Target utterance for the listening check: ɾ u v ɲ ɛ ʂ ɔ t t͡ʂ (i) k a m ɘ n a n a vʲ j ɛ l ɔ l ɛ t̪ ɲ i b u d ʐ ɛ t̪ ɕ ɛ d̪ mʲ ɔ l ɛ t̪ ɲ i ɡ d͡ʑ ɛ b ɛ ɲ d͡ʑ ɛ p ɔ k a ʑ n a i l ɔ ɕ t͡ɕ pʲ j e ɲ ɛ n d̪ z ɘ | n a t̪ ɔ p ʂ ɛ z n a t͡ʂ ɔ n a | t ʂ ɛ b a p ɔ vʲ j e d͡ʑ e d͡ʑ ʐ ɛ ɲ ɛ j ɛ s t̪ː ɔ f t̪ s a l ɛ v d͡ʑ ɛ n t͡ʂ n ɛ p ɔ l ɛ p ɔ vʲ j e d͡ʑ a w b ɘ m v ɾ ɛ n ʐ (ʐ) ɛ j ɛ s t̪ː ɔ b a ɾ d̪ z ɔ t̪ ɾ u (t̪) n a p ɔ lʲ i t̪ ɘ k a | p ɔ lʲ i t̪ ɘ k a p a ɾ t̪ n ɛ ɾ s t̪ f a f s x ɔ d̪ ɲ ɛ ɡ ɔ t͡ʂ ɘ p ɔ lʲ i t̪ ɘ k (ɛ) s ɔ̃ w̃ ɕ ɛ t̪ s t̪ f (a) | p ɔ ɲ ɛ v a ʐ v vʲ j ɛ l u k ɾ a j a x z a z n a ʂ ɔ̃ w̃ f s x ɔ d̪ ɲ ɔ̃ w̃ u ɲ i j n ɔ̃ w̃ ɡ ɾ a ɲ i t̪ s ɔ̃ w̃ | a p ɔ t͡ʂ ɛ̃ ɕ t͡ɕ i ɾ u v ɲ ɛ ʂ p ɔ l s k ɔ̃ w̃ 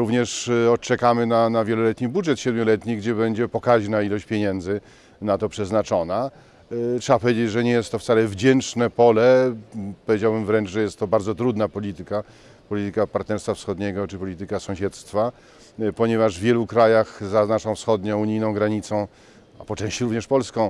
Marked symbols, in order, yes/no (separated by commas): no, yes, no, no, yes